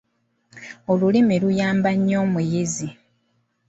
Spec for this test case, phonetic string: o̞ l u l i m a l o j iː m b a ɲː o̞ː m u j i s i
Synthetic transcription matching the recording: o̞ l u l i m i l u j aː m b a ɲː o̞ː m u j i z i

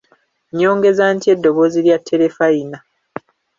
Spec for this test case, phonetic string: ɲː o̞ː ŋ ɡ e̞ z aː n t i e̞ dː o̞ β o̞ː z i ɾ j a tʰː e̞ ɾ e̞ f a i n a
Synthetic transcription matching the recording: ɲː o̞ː ŋ ɡ e̞ z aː n t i e̞ dː o̞ β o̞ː z i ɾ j a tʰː e̞ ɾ e̞ f a i n a

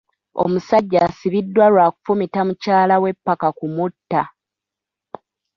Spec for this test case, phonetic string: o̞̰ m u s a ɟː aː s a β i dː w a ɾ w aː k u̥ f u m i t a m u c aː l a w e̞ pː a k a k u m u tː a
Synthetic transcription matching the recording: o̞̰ m u s a ɟː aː s i β i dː w a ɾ w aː k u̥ f u m i t a m u c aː l a w e̞ pː a k a k u m u tː a

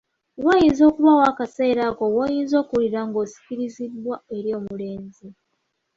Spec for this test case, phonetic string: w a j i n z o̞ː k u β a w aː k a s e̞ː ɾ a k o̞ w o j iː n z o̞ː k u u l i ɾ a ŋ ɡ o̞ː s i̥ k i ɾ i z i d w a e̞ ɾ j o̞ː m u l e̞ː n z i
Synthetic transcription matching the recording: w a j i n z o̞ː k u β a w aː k a s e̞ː ɾ a k o̞ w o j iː n z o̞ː k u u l i ɾ a ŋ ɡ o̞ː s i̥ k i ɾ i z i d w a e̞ ɾ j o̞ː m u l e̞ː n z i

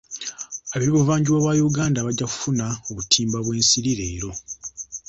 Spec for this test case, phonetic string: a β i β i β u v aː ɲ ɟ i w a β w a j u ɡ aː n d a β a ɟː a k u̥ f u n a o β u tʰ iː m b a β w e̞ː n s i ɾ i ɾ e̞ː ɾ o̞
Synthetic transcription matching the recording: a β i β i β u v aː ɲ ɟ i w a β w a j u ɡ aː n d a β a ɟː a k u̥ f u n a o β u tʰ iː m b a β w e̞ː n s i ɾ i ɾ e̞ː ɾ o̞

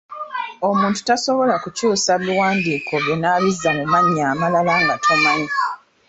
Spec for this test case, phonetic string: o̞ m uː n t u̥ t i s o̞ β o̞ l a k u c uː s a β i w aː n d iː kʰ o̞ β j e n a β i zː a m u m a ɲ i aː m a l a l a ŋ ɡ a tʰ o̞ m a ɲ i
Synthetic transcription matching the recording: o̞ m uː n t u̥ t a s o̞ β o̞ l a k u c uː s a β i w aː n d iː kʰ o̞ β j e n a β i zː a m u m a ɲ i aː m a l a l a ŋ ɡ a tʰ o̞ m a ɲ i

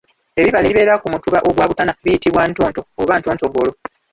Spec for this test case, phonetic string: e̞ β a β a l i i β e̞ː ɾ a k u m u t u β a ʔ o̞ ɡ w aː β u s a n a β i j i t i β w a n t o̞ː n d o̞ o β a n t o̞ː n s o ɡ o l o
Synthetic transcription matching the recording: e̞ β i β a l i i β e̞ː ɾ a k u m u t u β a ʔ o̞ ɡ w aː β u t a n a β i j i t i β w a n t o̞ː n t o̞ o β a n t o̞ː n t o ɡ o l o

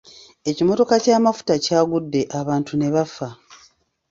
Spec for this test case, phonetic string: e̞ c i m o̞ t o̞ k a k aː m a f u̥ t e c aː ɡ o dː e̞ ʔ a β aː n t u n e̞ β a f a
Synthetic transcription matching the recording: e̞ c i m o̞ t o̞ k a c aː m a f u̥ t a c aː ɡ u dː e̞ ʔ a β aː n t u n e̞ β a f a

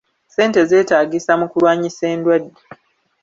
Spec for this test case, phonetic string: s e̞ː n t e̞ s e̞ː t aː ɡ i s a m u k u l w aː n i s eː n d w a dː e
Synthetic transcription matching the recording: s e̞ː n t e̞ z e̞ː t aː ɡ i s a m u k u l w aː ɲ i s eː n d w a dː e

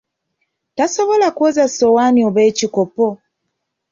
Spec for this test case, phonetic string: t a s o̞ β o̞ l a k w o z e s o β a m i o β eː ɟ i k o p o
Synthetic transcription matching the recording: t a s o̞ β o̞ l a k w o z a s o w a n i o β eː c i k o p o

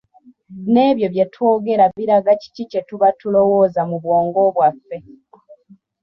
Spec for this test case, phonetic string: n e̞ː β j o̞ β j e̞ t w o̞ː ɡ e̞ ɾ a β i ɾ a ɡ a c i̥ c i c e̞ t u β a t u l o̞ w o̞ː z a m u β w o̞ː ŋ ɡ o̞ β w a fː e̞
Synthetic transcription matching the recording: n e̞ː β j o̞ β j e̞ t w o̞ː ɡ e̞ ɾ a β i ɾ a ɡ a c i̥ c i c e̞ t u β a t u l o̞ w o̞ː z a m u β w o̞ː ŋ ɡ o̞ β w a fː e̞

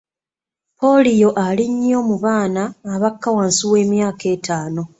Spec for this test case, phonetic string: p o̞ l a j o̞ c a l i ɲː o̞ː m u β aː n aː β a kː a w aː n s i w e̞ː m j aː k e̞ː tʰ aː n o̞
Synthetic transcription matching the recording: p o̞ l i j o̞ ʔ a l i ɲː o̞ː m u β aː n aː β a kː a w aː n s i w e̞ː m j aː k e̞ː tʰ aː n o̞

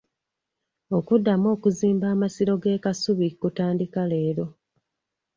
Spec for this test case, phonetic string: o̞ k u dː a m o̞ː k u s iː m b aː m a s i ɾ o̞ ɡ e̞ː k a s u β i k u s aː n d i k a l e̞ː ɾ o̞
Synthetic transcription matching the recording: o̞ k u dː a m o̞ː k u z iː m b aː m a s i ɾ o̞ ɡ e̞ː k a s u β i k u t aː n d i k a l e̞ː ɾ o̞

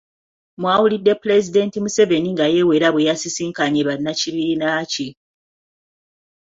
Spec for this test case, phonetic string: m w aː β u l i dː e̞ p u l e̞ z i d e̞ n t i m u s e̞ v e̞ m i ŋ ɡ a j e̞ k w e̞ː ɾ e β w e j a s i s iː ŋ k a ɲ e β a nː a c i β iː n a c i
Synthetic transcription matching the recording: m w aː w u l i dː e̞ p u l e̞ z i d e̞ n t i m u s e̞ v e̞ n i ŋ ɡ a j e̞ w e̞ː ɾ a β w e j a s i s iː ŋ k a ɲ e β a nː a c i β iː n a c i

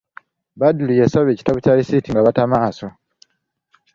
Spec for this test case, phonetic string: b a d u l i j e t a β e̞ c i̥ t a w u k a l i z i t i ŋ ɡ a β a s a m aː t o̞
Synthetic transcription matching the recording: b a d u l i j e s a β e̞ c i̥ t a β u c a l i s i t i ŋ ɡ a β a t a m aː s o̞

